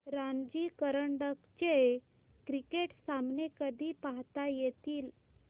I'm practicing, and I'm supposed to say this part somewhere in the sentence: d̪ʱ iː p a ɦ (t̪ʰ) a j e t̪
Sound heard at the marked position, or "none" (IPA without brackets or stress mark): t̪